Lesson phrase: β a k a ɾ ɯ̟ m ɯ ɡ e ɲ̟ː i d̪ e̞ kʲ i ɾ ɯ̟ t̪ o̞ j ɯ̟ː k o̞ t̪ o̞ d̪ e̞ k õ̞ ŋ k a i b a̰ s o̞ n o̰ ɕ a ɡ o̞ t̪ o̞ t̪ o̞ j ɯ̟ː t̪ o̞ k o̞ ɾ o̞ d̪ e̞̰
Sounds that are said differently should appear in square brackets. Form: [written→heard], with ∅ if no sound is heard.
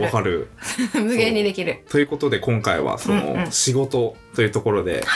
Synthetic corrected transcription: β a k a ɾ ɯ̟ m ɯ ɡ e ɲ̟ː i d̪ e̞ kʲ i ɾ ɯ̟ t̪ o̞ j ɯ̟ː k o̞ t̪ o̞ d̪ e̞ k õ̞ ŋ k a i [b→β] a̰ s o̞ n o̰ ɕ [a→i] ɡ o̞ t̪ o̞ t̪ o̞ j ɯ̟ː t̪ o̞ k o̞ ɾ o̞ d̪ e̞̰